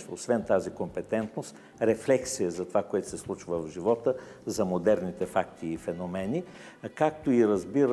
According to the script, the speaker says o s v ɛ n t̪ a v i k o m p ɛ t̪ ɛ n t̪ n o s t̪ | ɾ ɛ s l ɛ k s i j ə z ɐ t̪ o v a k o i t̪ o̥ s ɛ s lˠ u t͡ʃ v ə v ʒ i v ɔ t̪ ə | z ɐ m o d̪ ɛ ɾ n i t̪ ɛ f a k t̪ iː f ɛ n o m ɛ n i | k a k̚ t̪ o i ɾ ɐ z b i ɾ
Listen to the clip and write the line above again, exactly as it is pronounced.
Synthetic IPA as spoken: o s v ɛ n t̪ a z i k o m p ɛ t̪ ɛ n t̪ n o s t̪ | ɾ ɛ f l ɛ k s i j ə z ɐ t̪ o v a k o ɛ t̪ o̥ s ɛ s lˠ u t͡ʃ v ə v ʒ i v ɔ t̪ ə | z ɐ m o d̪ ɛ ɾ n i t̪ ɛ f a k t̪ iː f ɛ n o m ɛ n i | k a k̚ t̪ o i ɾ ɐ z b i ɾ